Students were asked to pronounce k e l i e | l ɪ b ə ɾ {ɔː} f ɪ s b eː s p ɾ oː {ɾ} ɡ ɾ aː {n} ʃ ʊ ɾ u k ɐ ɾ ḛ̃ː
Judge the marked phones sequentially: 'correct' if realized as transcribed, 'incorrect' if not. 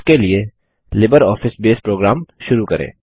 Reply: correct, incorrect, incorrect

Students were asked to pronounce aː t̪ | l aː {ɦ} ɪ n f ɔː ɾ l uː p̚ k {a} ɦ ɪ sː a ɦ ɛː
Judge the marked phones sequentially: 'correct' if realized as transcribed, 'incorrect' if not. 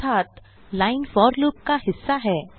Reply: incorrect, correct

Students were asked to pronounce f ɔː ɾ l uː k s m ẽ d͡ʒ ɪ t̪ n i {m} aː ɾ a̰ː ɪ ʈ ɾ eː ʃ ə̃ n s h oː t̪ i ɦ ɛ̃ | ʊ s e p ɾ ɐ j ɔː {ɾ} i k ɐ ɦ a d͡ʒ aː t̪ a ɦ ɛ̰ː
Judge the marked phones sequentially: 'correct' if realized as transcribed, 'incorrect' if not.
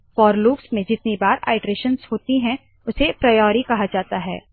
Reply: incorrect, correct

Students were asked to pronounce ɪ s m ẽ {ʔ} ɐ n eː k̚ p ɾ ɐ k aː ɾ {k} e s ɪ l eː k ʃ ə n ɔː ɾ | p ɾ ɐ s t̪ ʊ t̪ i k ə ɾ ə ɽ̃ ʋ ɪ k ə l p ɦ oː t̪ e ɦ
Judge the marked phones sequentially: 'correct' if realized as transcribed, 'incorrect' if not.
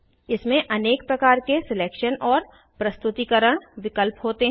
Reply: correct, correct

